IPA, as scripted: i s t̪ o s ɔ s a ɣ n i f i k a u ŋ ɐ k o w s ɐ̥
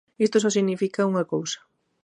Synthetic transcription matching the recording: i s t̪ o s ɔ s i ɣ n i f i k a u ŋ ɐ k o w s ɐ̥